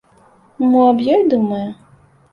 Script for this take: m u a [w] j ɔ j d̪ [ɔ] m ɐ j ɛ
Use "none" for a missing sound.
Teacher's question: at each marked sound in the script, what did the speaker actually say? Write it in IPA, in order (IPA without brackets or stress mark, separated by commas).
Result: b, u